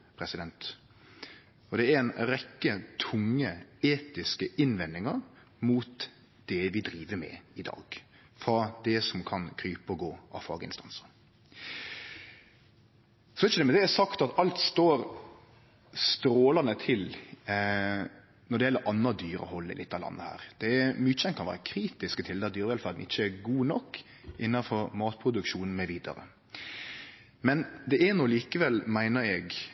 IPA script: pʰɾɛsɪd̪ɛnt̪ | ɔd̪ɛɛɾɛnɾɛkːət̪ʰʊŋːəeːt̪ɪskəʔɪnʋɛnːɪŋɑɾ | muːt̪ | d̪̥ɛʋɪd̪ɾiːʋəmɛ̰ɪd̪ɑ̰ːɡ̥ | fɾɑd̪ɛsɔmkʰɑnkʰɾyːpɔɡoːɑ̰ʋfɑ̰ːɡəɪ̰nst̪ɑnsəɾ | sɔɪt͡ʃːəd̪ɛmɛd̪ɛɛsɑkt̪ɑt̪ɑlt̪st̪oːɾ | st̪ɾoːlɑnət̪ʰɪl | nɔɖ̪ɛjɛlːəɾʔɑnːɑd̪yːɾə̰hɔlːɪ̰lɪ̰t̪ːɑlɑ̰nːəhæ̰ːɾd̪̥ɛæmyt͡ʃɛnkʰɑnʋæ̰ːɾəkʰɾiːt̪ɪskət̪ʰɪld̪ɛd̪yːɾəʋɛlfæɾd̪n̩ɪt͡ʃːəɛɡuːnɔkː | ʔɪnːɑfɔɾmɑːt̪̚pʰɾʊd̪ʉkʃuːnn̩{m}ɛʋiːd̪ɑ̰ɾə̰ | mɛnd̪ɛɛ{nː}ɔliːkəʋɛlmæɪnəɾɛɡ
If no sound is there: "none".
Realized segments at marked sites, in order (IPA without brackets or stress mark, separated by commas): m, n